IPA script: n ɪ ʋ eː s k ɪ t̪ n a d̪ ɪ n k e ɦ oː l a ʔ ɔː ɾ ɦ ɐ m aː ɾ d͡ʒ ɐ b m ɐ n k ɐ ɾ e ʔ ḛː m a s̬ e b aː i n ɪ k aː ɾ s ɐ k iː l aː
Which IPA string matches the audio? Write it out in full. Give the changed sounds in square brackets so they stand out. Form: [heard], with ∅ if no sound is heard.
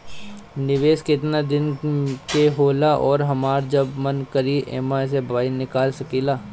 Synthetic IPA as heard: n ɪ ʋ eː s k ɪ t̪ n a d̪ ɪ n k e ɦ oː l a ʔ ɔː ɾ ɦ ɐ m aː ɾ d͡ʒ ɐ b m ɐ n k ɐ ɾ [i] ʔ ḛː m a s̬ e b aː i n ɪ k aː [l] s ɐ k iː l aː